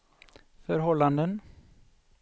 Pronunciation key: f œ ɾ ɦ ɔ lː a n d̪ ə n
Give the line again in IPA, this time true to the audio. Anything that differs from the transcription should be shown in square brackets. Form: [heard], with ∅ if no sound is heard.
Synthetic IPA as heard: f œ ɾ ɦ ɔ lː a n d̪ ə n

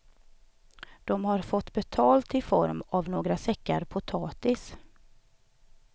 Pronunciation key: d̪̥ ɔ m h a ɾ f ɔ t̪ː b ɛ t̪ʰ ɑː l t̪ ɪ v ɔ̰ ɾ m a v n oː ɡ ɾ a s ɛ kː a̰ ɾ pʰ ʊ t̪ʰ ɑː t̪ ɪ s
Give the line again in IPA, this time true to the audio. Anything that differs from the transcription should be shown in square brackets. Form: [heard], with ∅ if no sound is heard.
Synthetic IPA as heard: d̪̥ ɔ m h a ɾ f ɔ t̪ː b ɛ t̪ʰ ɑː l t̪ ɪ [f] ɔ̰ ɾ m a v n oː ɡ ɾ a s ɛ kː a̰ ɾ pʰ ʊ t̪ʰ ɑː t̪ ɪ s

